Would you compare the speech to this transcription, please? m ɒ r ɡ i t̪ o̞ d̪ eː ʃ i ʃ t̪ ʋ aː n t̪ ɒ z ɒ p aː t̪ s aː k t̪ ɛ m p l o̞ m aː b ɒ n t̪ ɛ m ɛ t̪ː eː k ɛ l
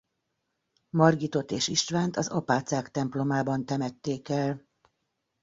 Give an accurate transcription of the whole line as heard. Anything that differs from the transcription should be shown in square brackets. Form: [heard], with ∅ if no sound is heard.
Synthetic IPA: m ɒ r ɡ i t̪ o̞ [t̪] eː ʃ i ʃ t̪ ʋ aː n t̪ ɒ z ɒ p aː t̪ s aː k t̪ ɛ m p l o̞ m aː b ɒ n t̪ ɛ m ɛ t̪ː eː k ɛ l